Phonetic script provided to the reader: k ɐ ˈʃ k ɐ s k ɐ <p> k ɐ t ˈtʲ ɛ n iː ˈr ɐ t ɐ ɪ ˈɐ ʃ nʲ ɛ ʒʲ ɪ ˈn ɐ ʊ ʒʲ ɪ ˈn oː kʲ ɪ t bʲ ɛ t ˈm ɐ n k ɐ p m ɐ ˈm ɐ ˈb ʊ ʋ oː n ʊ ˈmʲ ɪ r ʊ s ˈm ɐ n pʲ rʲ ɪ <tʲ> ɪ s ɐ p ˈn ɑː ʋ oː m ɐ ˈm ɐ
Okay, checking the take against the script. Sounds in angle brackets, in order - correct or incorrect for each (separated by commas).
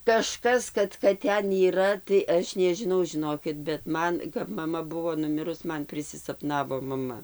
incorrect, incorrect